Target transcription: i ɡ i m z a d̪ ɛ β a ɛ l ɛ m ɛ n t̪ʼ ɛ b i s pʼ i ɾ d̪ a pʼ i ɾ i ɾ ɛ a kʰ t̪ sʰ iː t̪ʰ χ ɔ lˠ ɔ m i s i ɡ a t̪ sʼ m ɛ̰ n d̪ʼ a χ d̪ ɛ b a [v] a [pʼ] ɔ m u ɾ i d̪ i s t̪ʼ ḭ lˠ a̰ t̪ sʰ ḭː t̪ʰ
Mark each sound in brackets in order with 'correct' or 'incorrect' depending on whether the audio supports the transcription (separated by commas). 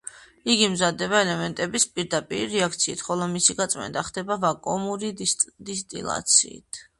correct, incorrect